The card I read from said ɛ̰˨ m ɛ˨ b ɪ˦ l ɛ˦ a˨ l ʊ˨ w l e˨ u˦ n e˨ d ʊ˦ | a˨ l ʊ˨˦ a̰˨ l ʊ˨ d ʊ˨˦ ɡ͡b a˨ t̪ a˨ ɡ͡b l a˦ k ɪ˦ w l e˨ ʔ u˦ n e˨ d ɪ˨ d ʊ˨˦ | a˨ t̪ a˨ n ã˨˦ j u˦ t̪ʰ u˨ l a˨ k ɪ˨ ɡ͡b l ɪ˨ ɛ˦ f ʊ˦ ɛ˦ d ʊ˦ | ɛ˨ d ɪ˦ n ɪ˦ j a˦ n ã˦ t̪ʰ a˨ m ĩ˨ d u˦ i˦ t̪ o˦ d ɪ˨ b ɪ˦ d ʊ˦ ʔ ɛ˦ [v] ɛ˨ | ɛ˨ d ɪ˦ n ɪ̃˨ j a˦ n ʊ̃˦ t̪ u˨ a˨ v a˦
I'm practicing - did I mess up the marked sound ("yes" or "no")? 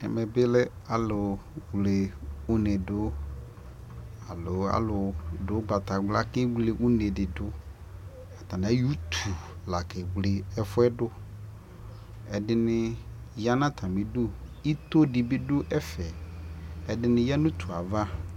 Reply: yes